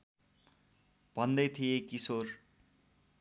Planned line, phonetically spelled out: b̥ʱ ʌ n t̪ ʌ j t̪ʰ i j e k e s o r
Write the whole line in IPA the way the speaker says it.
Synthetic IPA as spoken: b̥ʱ ʌ n d̪ ʌ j t̪ʰ i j e k i s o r